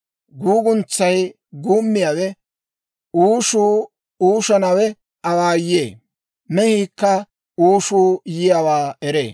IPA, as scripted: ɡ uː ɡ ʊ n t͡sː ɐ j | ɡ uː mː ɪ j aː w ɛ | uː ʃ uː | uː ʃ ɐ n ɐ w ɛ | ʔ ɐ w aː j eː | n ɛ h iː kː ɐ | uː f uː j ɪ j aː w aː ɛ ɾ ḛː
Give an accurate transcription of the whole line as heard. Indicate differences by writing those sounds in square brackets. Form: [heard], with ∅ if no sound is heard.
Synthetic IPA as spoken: ɡ uː ɡ ʊ n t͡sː ɐ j | ɡ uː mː ɪ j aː w ɛ | uː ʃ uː | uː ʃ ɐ n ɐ w ɛ | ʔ ɐ w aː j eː | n ɛ h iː kː ɐ | uː [ʃ] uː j ɪ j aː w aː ɛ ɾ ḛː